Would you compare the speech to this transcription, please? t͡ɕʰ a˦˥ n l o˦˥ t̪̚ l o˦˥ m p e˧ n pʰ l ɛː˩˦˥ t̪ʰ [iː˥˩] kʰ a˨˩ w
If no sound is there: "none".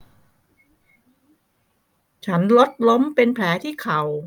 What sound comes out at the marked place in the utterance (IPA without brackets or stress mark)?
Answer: iː˥˩